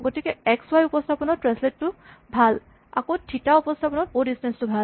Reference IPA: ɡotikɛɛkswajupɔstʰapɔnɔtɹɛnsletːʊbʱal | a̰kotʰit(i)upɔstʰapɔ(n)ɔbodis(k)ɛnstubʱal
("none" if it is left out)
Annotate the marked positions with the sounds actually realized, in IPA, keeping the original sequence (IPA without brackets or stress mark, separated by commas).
a, n, t